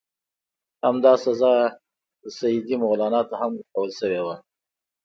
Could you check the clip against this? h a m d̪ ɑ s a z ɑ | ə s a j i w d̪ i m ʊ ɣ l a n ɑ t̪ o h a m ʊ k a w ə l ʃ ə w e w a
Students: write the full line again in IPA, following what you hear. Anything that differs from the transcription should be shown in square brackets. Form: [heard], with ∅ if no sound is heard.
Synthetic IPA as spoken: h a m d̪ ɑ s a z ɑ | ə s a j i [∅] d̪ i m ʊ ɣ l [ɑ] n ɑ t̪ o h a m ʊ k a w ə l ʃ ə w e w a